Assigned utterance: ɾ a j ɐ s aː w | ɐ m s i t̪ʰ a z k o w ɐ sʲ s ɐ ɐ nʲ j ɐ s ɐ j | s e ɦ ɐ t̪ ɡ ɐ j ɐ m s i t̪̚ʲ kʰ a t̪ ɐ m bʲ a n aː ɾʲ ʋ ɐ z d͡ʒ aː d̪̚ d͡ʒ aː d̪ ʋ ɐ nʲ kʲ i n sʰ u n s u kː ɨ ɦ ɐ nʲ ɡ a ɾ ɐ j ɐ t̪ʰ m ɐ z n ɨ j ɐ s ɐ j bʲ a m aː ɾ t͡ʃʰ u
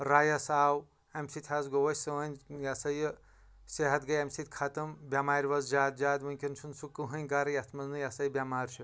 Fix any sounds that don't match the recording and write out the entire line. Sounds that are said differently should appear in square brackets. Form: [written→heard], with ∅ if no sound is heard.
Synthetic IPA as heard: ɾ a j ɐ s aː w | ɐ m s i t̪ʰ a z [k→ɡ] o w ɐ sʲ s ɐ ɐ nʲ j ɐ s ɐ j | s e ɦ ɐ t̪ ɡ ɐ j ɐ m s i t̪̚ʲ kʰ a t̪ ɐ m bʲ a [n→m] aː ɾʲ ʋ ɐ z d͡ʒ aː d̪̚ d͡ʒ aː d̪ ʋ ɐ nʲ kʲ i n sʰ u n s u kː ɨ ɦ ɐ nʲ ɡ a ɾ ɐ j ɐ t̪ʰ m ɐ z n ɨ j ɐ s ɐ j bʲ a m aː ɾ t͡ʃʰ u

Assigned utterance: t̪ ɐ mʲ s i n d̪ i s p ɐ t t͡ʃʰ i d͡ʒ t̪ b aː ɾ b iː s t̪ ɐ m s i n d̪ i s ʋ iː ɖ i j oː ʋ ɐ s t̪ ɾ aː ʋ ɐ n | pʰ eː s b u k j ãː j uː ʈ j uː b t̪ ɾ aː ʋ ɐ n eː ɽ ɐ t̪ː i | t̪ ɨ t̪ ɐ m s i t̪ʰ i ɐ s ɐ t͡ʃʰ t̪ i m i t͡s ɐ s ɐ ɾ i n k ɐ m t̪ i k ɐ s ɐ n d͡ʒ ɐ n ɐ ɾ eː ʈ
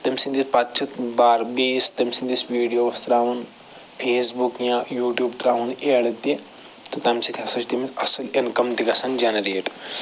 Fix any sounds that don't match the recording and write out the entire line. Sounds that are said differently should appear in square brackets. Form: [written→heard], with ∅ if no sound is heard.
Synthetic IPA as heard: t̪ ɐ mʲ s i n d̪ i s p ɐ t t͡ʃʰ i [d͡ʒ→∅] t̪ b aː ɾ b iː s t̪ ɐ m s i n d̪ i s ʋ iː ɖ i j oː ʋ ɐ s t̪ ɾ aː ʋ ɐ n | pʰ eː s b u k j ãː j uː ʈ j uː b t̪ ɾ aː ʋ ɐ n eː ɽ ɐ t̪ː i | t̪ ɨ t̪ ɐ m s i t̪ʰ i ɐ s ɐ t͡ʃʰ t̪ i m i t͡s ɐ s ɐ [ɾ→l] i n k ɐ m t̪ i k ɐ s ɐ n d͡ʒ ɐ n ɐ ɾ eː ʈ

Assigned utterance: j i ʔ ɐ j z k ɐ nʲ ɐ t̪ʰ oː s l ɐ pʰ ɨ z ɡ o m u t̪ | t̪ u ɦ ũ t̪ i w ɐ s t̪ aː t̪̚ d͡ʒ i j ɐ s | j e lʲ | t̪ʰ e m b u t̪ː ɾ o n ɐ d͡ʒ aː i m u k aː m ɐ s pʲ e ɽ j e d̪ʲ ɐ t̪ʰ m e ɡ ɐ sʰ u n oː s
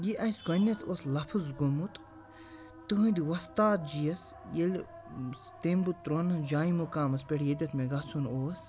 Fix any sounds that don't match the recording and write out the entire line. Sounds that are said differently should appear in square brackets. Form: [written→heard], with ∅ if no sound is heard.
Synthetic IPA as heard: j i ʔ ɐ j [z→s] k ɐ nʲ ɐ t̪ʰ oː s l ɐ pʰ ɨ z ɡ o m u t̪ | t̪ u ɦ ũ [t̪→d̪] i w ɐ s t̪ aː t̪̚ d͡ʒ i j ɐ s | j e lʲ | [t̪ʰ→t̪] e m b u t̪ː ɾ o n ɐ d͡ʒ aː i m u k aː m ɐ s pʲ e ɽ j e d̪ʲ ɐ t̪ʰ m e ɡ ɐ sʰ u n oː s

